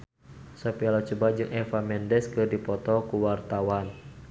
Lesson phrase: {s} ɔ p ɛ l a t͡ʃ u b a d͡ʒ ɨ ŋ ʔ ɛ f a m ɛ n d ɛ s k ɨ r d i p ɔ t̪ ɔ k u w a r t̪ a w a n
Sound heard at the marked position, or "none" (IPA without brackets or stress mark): s